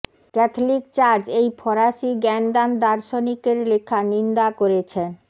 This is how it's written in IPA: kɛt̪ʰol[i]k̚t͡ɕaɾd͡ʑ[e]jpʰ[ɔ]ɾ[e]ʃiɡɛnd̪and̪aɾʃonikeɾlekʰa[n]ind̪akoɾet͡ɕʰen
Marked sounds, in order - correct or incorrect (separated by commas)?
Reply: correct, correct, correct, incorrect, correct